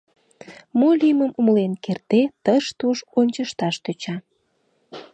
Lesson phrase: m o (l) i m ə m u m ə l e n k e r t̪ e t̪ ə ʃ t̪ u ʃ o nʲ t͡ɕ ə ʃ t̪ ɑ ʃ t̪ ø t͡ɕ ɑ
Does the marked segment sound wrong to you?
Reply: no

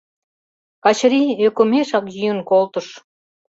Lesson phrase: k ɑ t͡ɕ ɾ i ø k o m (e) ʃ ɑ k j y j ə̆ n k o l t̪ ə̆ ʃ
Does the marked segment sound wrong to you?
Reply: no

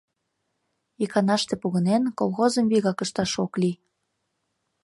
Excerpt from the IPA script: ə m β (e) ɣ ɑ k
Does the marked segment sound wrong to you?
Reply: yes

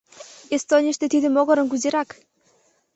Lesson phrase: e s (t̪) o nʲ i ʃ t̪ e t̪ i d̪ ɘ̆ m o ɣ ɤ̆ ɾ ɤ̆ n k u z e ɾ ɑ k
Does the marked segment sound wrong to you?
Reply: no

